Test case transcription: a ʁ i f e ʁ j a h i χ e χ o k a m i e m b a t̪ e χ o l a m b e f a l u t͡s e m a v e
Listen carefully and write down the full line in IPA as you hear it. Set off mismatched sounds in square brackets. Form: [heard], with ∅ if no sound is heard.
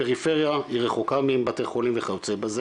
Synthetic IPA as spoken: [e] ʁ i f e ʁ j a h i [ʁ] e χ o k a m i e m b a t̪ e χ o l [i] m [v] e [χ] a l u t͡s e [b] a [z] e